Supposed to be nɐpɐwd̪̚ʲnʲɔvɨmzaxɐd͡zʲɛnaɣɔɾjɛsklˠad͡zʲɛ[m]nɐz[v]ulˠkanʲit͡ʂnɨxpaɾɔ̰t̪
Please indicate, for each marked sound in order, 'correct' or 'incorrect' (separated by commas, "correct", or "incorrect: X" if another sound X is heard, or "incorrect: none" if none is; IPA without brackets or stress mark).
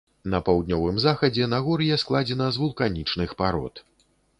incorrect: none, correct